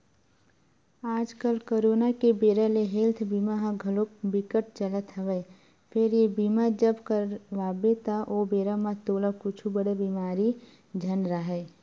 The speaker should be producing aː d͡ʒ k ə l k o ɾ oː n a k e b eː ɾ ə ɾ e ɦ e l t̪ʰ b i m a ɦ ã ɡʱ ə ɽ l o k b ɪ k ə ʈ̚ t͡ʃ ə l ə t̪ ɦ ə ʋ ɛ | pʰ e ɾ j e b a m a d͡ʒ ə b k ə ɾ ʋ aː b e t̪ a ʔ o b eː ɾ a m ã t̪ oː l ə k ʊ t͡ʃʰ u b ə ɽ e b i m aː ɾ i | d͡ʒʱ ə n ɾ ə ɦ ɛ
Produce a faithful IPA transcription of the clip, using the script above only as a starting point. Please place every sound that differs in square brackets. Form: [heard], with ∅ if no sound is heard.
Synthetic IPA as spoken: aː d͡ʒ k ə l k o ɾ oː n a k e b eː ɾ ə [l] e ɦ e l t̪ʰ b i m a ɦ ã ɡʱ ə [∅] l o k b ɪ k ə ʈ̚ t͡ʃ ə l ə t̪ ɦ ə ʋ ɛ | pʰ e ɾ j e b [i] m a d͡ʒ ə b k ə ɾ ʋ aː b e t̪ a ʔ o b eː ɾ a m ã t̪ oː l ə k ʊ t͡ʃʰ u b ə ɽ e b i m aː ɾ i | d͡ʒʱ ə n ɾ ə ɦ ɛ